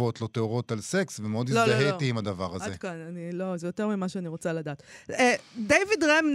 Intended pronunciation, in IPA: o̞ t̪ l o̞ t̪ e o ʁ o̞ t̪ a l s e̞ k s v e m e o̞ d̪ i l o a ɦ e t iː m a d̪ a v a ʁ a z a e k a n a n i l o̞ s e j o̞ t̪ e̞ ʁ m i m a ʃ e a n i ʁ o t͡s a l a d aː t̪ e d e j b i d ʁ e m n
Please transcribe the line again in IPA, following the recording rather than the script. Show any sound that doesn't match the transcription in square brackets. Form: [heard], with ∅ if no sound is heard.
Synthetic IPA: o̞ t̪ l o̞ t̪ e o ʁ o̞ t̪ a l s e̞ k s v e m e o̞ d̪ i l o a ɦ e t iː m a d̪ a v a ʁ a z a e k a n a n i l o̞ [z] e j o̞ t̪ e̞ ʁ m i m a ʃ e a n i ʁ o t͡s a l a d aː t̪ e d e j [v] i d ʁ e m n